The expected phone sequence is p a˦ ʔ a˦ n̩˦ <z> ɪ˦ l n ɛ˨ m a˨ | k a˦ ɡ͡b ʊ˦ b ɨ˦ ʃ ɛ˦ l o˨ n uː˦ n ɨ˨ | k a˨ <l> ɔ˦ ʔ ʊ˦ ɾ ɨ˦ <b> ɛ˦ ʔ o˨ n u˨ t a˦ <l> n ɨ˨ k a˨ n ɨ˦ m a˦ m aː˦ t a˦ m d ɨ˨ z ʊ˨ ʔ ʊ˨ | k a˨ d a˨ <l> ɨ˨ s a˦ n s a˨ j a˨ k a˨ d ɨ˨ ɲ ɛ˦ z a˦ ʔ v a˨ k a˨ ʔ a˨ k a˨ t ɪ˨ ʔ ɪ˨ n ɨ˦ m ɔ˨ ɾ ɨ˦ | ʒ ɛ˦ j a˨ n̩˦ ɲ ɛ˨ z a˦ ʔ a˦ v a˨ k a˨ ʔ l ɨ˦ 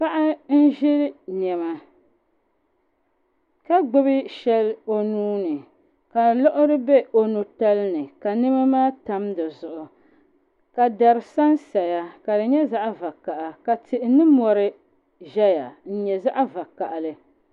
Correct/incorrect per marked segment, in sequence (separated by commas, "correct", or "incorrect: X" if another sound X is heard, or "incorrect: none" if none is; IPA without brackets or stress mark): incorrect: ʒ, correct, correct, correct, incorrect: ɾ